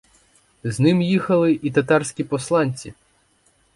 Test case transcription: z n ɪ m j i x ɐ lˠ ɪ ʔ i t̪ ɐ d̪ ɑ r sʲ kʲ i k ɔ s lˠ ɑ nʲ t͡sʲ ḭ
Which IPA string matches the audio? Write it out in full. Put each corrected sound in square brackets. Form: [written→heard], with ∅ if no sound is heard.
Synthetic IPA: z n ɪ m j i x ɐ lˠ ɪ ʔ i t̪ ɐ [d̪→t̪] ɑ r sʲ kʲ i [k→p] ɔ s lˠ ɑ nʲ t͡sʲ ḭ

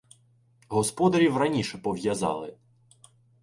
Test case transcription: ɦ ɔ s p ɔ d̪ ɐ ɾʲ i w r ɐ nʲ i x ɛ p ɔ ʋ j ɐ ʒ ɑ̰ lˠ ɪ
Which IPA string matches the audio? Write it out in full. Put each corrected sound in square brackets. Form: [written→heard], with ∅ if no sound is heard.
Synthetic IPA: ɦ ɔ s p ɔ d̪ ɐ ɾʲ i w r ɐ nʲ i [x→ʃ] ɛ p ɔ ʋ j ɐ [ʒ→z] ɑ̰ lˠ ɪ

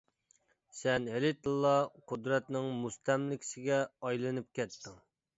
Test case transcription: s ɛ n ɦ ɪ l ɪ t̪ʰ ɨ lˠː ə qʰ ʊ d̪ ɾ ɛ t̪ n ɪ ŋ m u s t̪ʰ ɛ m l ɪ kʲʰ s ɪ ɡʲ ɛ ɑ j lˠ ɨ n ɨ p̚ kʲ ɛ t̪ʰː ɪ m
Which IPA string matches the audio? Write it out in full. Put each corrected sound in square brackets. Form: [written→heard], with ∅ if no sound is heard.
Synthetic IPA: s ɛ n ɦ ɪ l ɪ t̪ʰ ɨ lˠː [ə→ɑ] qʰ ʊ d̪ ɾ ɛ t̪ n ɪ ŋ m u s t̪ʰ ɛ m l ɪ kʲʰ s ɪ ɡʲ ɛ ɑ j lˠ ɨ n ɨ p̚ kʲ ɛ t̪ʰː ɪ [m→ŋ]

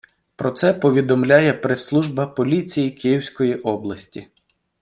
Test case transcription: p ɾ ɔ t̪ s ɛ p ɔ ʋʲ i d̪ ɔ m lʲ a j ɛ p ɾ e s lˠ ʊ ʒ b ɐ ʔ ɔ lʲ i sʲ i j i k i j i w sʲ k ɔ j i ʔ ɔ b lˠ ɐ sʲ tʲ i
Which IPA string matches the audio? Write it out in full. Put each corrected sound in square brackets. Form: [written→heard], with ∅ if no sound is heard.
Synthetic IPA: p ɾ ɔ t̪ s ɛ p ɔ ʋʲ i d̪ ɔ m lʲ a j ɛ p ɾ e s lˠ [ʊ→u] ʒ b ɐ [ʔ→p] ɔ lʲ i [sʲ→t͡sʲ] i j i k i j i w sʲ k ɔ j i ʔ ɔ b lˠ ɐ sʲ tʲ i

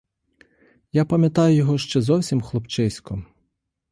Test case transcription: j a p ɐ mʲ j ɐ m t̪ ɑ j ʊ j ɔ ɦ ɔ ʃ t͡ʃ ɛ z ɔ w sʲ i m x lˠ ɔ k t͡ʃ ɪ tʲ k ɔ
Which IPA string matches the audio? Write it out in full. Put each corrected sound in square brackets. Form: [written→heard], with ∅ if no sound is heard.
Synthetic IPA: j a p ɐ mʲ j ɐ [m→∅] t̪ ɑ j ʊ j ɔ ɦ ɔ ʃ t͡ʃ ɛ z ɔ w sʲ i m x lˠ ɔ [k→p] t͡ʃ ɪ [tʲ→sʲ] k ɔ

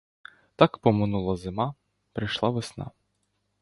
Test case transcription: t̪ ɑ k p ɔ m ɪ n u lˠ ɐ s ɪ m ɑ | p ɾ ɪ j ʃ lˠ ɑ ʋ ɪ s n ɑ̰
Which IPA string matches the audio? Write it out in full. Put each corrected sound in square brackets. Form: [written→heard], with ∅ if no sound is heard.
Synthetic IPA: t̪ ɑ k p ɔ m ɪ n u lˠ ɐ [s→z] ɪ m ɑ | p ɾ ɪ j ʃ lˠ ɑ ʋ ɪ s n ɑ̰

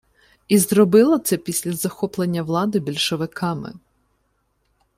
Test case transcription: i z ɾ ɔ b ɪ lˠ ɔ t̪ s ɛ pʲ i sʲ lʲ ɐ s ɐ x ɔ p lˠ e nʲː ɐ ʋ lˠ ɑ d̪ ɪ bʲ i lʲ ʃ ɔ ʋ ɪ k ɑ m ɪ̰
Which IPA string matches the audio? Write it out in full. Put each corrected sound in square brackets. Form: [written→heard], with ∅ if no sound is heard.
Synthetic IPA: i z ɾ ɔ b ɪ lˠ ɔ t̪ s ɛ pʲ i sʲ lʲ ɐ [s→z] ɐ x ɔ p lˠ e nʲː ɐ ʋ lˠ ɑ d̪ ɪ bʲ i lʲ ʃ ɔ ʋ ɪ k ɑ m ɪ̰

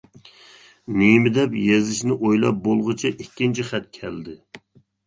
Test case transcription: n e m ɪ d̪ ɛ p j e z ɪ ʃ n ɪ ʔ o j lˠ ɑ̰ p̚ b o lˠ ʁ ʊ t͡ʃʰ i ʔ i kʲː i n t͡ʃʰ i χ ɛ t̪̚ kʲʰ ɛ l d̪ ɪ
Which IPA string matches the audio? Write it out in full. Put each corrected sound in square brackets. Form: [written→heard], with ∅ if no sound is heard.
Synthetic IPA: n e m ɪ d̪ ɛ p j e z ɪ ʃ n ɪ ʔ o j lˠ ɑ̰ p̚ b o lˠ ʁ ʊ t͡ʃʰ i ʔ i kʲː i n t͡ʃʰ i χ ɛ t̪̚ kʲʰ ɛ l d̪ ɪ

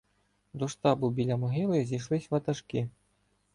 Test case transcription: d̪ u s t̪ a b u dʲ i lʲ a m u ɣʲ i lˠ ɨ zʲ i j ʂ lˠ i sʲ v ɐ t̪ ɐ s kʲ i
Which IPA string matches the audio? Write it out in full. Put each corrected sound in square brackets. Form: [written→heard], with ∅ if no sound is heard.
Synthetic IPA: d̪ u [s→ʂ] t̪ a b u [dʲ→bʲ] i lʲ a m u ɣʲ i lˠ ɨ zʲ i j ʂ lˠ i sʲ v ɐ t̪ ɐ [s→ʂ] kʲ i

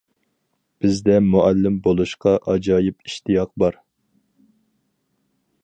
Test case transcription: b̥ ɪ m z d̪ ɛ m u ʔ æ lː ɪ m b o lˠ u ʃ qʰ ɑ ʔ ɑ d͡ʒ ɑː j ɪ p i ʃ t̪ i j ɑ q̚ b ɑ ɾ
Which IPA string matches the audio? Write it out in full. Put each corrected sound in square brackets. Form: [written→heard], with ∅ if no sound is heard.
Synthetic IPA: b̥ ɪ [m→∅] z d̪ ɛ m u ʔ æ lː ɪ m b o lˠ u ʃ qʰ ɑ ʔ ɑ d͡ʒ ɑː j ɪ p i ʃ t̪ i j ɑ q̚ b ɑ ɾ

